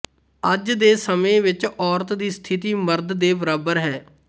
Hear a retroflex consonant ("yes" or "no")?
no